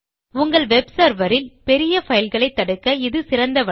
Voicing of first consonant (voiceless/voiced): voiced